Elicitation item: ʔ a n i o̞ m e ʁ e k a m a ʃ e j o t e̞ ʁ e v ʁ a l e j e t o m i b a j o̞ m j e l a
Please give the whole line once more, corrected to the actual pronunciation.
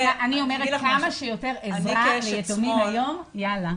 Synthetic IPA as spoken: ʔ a n i o̞ m e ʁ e k a m a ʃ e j o t e̞ ʁ e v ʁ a l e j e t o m i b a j o̞ m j a l a